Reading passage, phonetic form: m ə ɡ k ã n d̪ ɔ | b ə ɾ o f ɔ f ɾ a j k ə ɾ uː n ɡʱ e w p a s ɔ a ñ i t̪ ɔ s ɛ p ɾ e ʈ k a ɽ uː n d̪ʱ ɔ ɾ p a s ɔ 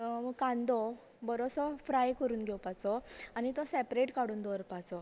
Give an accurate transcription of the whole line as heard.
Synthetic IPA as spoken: m ə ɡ k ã n d̪ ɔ | b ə ɾ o s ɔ f ɾ a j k ə ɾ uː n ɡʱ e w p a t͡s ɔ a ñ i t̪ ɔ s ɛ p ɾ e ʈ k a ɽ uː n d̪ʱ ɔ ɾ p a t͡s ɔ